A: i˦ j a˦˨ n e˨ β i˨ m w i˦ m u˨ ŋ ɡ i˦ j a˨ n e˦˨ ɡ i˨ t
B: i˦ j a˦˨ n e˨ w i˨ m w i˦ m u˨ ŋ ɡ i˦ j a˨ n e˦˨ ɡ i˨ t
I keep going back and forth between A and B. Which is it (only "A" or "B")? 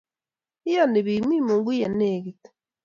A